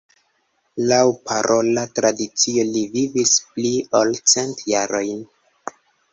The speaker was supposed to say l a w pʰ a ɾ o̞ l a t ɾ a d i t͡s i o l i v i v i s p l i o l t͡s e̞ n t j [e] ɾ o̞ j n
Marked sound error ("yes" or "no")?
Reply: yes